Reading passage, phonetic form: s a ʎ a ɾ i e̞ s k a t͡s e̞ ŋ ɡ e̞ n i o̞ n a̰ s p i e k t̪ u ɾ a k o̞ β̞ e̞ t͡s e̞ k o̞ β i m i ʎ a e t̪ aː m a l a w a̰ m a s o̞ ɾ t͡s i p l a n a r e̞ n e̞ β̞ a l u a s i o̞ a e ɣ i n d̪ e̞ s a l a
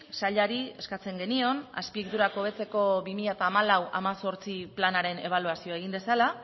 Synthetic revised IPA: s a ʎ a ɾ i e̞ s k a t͡s e̞ ŋ ɡ e̞ n i o̞ n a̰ s p i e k t̪ u ɾ a k o̞ β̞ e̞ t͡s e̞ k o̞ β i m i ʎ a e t̪ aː m a l a w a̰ m a s o̞ ɾ t͡s i p l a n a ɾ e̞ n e̞ β̞ a l u a s i o̞ a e ɣ i n d̪ e̞ s a l a